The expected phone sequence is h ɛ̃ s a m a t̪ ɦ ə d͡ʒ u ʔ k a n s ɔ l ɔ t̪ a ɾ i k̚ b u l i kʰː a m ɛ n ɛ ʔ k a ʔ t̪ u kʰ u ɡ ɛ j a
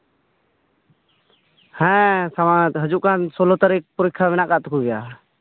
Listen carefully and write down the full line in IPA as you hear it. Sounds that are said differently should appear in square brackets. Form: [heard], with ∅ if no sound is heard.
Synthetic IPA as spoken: h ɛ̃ s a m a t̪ ɦ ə d͡ʒ u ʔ k a n s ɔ l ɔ t̪ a ɾ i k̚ [p] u [ɾ] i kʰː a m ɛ n [a] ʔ k a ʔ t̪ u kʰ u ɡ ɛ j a